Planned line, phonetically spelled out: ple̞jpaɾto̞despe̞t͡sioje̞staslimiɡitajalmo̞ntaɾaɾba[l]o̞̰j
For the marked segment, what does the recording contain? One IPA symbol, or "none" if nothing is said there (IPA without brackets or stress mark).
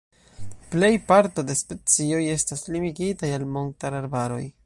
ɾ